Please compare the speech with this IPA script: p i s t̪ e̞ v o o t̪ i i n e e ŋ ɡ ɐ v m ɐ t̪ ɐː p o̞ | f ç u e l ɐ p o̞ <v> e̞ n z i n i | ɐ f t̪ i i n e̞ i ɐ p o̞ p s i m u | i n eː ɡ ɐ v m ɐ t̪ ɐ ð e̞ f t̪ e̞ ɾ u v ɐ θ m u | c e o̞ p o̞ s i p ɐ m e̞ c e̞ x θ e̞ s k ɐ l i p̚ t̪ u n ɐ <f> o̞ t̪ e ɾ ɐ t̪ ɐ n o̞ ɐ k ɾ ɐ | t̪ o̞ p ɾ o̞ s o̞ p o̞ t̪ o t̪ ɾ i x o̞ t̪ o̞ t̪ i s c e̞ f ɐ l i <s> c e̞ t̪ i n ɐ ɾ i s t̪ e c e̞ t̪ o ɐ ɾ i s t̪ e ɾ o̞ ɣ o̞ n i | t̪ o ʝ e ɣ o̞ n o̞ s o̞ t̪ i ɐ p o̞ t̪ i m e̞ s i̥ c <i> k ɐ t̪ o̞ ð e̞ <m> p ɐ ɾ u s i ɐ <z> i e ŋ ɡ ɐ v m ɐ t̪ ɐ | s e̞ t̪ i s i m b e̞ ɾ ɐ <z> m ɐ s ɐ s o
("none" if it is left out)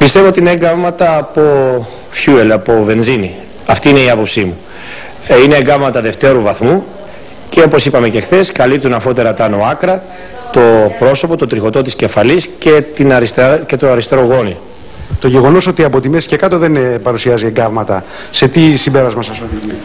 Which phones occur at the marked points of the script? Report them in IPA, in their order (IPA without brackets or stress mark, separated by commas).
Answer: v, f, s, e, n, z, z